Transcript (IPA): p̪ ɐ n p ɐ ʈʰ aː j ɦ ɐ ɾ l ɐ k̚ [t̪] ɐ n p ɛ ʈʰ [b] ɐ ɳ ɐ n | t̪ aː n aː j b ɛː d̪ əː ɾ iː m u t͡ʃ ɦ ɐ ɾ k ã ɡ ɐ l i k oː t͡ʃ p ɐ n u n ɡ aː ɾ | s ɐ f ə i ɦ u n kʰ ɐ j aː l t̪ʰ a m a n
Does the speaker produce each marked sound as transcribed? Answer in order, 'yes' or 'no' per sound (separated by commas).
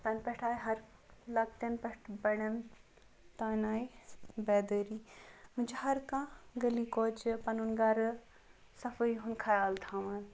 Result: yes, yes